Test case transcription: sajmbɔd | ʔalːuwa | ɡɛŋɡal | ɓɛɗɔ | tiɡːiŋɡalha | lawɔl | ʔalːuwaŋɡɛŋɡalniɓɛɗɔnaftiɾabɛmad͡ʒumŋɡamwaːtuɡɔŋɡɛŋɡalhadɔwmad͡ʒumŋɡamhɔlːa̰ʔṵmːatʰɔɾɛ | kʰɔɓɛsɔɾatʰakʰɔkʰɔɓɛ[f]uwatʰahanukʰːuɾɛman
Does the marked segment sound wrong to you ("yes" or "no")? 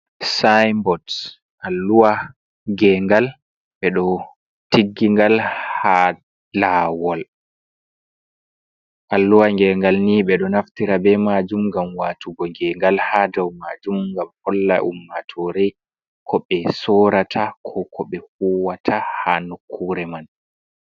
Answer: yes